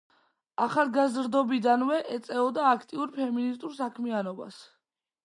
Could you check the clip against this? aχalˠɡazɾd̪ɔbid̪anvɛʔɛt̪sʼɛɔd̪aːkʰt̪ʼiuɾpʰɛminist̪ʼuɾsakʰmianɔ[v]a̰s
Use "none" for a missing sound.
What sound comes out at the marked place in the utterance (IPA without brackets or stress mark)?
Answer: b